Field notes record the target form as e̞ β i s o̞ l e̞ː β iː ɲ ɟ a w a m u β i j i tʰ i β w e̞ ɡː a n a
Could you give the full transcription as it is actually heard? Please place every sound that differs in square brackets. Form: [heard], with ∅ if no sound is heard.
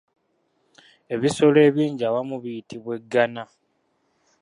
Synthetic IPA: e̞ β i s o̞ l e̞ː β iː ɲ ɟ a w a m u β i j i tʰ i β w e̞ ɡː a n a

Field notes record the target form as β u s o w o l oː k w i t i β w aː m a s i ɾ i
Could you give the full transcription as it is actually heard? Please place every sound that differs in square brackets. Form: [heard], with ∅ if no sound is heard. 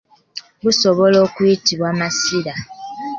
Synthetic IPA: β u s o [β] o l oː k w i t i β w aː m a s i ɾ [a]

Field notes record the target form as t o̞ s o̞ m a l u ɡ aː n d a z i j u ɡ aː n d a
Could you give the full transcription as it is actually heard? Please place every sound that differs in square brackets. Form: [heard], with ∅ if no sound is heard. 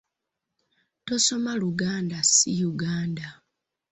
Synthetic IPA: t o̞ s o̞ m a l u ɡ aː n d a [s] i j u ɡ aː n d a

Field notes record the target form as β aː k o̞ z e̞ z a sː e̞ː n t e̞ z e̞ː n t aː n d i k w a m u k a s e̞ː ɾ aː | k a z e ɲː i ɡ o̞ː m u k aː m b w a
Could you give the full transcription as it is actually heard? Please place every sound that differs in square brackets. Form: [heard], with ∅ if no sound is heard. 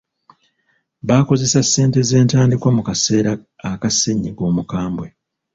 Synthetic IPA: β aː k o̞ z e̞ [s] a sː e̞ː n t e̞ z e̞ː n t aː n d i k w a m u k a s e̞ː ɾ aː | k a [s] e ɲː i ɡ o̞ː m u k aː m b w [e]

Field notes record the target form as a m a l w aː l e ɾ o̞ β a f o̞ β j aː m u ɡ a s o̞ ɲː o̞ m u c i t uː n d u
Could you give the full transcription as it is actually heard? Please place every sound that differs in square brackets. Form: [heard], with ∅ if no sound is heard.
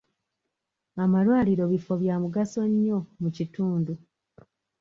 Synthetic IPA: a m a l w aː l [i] ɾ o̞ β [i] f o̞ β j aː m u ɡ a s o̞ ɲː o̞ m u c i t uː n d u

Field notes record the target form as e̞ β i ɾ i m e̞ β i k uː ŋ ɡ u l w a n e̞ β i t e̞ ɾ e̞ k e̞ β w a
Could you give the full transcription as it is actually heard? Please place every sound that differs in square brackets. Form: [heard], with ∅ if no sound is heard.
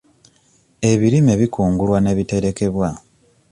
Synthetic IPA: e̞ β i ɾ i m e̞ β i k uː ŋ ɡ u l w a n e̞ β i t e̞ ɾ e̞ k e̞ β w a

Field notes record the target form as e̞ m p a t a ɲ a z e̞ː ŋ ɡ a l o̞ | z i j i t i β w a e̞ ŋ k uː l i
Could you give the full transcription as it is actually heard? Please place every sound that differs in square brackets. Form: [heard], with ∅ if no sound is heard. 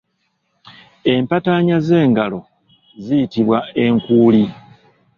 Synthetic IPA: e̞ m p a t a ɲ a z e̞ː ŋ ɡ a l o̞ | z i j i t i β w a e̞ ŋ k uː l i

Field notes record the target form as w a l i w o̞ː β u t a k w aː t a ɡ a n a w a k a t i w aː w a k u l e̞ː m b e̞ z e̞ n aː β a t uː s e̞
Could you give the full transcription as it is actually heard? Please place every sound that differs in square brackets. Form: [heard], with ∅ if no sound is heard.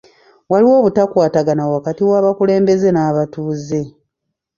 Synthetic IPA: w a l i w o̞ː β u t a k w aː t a ɡ a n a w a k a t i w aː [β] a k u l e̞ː m b e̞ z e̞ n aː β a t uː [z] e̞

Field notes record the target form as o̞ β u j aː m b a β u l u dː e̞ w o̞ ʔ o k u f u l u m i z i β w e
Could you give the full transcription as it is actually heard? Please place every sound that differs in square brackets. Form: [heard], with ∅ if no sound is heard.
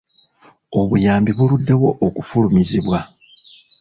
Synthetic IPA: o̞ β u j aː m b [i] β u l u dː e̞ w o̞ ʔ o k u f u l u m i z i β w [a]

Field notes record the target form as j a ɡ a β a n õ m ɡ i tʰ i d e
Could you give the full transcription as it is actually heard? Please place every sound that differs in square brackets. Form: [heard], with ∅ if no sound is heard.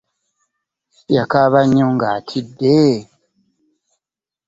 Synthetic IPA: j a [k] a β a [ɲ] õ [ŋ] ɡ [a] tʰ i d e

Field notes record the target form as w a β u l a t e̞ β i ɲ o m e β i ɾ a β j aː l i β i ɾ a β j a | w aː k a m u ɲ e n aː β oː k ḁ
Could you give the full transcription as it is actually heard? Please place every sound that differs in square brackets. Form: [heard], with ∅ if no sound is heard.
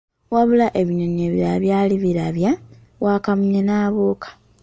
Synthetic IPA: w a β u l a [ʔ] e̞ β i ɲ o [ɲ] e β i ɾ a β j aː l i β i ɾ a β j a | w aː k a m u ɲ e n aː β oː k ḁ

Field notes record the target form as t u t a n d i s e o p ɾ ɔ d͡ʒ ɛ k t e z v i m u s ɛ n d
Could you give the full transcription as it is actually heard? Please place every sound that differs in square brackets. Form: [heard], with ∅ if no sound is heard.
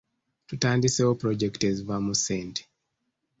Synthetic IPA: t u t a n d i s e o p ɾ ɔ d͡ʒ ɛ k t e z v [a] m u s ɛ n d

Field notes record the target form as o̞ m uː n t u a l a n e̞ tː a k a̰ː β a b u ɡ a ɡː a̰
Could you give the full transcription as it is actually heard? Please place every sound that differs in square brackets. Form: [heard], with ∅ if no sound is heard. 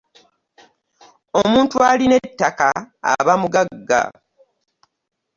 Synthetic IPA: o̞ m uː n t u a l [i] n e̞ tː a k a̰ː β a [m] u ɡ a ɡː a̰

